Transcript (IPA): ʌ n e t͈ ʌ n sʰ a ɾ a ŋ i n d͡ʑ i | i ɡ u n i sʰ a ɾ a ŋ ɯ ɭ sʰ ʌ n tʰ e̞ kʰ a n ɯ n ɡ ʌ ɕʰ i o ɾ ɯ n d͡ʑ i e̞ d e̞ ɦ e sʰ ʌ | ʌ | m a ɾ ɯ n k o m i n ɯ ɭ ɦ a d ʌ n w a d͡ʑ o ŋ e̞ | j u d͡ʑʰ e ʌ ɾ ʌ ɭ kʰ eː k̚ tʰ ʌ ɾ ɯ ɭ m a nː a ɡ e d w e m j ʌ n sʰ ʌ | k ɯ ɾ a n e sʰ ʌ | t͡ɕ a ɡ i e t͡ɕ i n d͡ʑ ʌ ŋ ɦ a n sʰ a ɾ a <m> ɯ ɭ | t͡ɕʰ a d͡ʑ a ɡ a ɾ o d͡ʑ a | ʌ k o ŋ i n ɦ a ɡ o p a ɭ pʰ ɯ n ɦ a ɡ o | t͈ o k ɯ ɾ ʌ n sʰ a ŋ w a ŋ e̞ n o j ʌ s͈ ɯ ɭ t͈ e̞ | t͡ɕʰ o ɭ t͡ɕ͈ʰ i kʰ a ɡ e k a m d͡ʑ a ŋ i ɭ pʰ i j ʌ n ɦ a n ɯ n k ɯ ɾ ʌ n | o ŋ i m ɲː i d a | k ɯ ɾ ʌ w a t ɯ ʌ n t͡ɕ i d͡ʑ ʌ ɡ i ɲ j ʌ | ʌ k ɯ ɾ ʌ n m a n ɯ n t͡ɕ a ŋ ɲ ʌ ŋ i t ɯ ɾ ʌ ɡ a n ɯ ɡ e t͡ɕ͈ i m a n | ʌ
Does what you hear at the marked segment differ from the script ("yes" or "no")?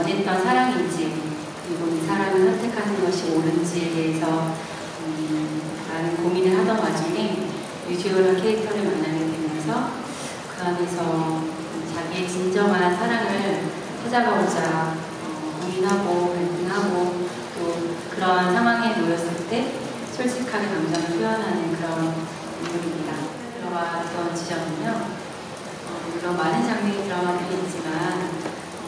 yes